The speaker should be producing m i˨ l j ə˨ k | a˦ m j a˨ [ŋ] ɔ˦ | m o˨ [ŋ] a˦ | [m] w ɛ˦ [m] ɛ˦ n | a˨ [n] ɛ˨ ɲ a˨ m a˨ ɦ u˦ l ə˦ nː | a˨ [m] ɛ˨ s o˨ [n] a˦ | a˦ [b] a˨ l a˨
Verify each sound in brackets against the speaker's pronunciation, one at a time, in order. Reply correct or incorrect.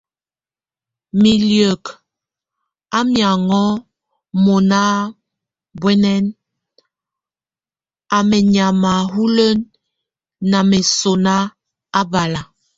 correct, incorrect: n, incorrect: b, incorrect: n, incorrect: m, correct, correct, correct

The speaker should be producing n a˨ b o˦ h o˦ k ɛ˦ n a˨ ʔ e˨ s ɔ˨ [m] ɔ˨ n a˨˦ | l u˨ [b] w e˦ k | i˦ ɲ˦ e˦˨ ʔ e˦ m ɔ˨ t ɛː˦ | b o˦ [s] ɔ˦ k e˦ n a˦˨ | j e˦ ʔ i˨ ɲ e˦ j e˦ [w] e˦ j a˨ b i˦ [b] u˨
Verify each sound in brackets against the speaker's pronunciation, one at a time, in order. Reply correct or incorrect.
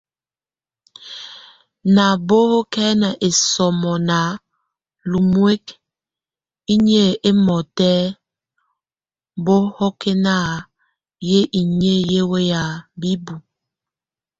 correct, incorrect: m, incorrect: h, correct, correct

